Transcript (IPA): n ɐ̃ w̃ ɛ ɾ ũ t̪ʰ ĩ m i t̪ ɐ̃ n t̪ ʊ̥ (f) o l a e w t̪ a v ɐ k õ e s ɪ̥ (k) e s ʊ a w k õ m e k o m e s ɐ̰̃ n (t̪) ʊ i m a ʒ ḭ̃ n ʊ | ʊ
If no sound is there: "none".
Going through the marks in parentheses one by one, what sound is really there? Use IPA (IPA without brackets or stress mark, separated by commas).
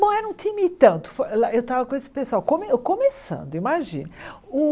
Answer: f, p, d̪